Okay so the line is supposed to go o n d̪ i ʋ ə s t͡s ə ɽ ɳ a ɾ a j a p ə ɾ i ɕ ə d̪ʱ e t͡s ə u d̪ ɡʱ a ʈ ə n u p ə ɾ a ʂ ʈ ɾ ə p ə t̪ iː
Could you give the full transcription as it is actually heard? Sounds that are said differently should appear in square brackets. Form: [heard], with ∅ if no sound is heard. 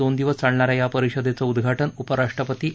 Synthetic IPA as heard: o n d̪ i ʋ ə s t͡s [a] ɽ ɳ a ɾ a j a p ə ɾ i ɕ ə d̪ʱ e t͡s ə u d̪ ɡʱ a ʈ ə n u p ə ɾ a ʂ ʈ ɾ ə p ə t̪ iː